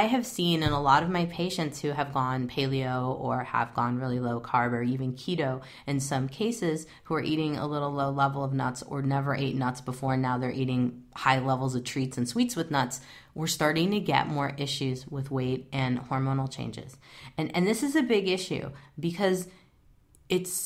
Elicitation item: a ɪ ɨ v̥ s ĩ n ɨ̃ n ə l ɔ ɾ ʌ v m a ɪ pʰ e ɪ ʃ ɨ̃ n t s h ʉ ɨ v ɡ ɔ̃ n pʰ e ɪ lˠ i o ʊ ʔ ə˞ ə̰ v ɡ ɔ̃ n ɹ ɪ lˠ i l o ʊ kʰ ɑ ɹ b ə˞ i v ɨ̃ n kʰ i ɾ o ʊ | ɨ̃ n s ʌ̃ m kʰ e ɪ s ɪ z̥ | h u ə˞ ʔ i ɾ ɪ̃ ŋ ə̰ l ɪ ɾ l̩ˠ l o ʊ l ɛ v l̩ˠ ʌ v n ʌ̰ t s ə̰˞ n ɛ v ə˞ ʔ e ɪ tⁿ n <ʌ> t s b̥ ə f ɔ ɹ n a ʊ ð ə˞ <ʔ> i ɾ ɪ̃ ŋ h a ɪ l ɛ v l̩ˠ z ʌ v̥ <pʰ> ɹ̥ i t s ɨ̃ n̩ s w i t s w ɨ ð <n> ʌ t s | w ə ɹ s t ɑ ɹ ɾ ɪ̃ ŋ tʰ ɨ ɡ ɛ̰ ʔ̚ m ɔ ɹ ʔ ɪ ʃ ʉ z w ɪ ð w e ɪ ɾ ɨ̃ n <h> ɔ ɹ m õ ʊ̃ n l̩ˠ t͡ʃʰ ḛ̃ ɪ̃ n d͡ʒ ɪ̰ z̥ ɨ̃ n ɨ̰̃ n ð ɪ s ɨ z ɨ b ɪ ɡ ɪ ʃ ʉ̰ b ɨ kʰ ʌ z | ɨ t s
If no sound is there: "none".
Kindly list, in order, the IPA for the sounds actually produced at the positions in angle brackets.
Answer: ʌ, ʔ, tʰ, n, h

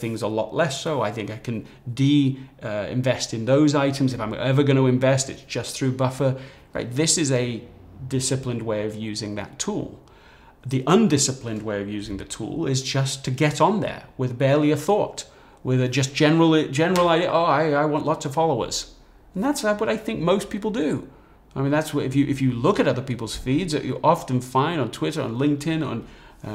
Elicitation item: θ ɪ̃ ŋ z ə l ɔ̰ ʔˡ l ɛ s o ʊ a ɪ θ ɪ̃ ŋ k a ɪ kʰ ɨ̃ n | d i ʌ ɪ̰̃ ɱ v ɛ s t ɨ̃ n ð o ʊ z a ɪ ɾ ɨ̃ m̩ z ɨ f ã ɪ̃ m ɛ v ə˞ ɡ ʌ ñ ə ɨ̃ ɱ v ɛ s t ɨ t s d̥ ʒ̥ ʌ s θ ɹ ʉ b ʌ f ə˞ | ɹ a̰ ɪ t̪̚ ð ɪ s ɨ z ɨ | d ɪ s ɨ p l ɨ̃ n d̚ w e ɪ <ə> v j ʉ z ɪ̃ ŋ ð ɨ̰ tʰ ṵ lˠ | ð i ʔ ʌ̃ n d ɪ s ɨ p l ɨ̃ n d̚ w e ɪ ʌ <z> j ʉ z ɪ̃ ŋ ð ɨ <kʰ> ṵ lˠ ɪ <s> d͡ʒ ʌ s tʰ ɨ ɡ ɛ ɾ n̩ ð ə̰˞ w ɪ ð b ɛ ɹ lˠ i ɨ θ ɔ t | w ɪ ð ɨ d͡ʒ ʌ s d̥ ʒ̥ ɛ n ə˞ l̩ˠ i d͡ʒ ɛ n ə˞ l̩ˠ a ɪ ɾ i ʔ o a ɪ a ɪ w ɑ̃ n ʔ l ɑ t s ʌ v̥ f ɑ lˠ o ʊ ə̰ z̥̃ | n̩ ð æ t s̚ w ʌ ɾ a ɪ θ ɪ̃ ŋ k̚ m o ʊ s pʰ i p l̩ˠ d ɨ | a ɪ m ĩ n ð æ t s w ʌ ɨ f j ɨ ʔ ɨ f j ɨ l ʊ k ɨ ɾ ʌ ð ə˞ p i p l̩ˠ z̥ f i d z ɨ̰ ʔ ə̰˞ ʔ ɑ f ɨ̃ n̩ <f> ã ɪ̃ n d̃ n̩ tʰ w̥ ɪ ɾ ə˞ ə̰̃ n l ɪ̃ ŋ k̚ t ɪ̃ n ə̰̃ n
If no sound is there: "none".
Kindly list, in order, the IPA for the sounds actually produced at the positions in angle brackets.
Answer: ʌ, v, tʰ, z, f

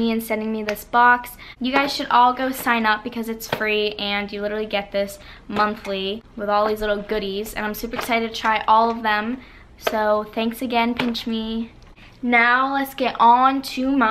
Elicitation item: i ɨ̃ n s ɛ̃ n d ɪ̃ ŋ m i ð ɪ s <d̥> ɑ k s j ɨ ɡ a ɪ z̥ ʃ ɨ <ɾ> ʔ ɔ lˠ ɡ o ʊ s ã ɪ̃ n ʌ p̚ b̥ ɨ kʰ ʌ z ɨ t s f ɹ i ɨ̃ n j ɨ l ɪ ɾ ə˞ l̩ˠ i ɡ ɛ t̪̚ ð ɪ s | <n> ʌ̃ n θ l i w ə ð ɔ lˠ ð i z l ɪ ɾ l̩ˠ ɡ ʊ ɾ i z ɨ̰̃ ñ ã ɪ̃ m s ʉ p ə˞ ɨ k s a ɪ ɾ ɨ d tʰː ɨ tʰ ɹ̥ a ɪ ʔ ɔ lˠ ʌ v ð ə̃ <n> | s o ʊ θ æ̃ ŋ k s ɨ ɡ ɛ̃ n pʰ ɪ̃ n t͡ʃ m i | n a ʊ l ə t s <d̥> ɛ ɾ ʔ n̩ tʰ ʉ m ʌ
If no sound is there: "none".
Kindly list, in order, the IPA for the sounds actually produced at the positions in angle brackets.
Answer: b̥, ɾ, m, m, ɡ̥

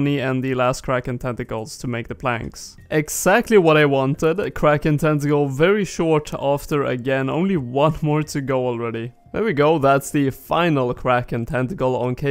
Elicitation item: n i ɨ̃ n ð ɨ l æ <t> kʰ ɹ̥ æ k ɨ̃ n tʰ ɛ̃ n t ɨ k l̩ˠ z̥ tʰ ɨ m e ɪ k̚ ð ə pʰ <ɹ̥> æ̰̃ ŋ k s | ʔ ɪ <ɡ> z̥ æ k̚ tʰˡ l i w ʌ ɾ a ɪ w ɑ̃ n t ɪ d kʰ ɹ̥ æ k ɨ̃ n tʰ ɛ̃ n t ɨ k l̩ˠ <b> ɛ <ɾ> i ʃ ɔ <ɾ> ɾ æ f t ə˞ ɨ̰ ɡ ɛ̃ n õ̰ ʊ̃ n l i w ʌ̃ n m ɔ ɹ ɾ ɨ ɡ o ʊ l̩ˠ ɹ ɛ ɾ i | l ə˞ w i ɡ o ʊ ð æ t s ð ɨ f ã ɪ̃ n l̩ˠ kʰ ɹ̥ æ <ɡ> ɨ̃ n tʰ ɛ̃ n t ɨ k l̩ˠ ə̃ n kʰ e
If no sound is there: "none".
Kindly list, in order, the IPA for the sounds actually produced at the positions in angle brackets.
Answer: s, l̥, ɡ, v, ɹ, ɹ, k

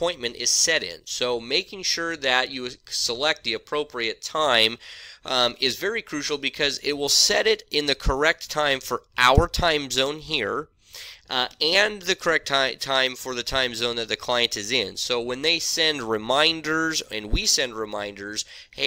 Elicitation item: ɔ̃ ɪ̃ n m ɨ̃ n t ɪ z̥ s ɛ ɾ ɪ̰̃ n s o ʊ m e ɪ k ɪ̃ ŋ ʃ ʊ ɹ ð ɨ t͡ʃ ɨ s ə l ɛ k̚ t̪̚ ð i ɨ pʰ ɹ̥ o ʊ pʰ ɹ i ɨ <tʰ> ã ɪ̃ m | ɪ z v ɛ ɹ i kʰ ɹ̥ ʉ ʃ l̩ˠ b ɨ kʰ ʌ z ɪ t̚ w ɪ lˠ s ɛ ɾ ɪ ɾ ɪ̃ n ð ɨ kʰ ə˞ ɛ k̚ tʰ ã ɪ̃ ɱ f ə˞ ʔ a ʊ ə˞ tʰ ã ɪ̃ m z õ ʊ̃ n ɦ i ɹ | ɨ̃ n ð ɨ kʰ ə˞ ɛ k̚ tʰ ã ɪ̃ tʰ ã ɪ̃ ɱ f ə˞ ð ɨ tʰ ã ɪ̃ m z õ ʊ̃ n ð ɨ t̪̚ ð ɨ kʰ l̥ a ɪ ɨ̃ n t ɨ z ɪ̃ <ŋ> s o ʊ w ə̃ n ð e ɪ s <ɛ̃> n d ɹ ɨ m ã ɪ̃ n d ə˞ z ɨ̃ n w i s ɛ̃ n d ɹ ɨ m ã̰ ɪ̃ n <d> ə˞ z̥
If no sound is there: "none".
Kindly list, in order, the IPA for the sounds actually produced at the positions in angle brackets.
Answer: tʰ, n, ɛ̃, d

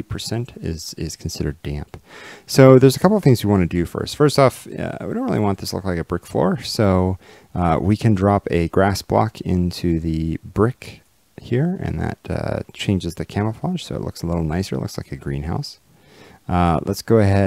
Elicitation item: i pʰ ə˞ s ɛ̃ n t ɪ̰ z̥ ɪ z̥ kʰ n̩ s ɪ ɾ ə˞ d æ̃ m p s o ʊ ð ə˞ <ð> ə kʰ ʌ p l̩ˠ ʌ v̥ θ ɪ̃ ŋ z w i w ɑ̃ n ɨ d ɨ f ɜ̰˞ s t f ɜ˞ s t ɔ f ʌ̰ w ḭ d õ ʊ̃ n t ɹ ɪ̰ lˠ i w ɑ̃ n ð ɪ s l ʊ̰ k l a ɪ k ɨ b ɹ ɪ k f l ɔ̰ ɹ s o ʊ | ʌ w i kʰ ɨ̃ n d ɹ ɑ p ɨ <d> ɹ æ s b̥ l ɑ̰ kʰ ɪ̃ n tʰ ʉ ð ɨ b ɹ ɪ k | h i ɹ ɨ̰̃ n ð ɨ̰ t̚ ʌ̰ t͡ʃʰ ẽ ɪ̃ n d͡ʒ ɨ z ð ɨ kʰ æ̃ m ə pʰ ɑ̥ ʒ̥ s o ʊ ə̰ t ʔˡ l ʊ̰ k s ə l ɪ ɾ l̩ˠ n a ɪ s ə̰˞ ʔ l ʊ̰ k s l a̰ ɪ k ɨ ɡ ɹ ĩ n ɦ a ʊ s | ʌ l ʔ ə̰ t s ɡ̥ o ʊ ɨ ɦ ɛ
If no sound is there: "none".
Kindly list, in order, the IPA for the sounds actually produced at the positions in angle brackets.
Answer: z, ɡ

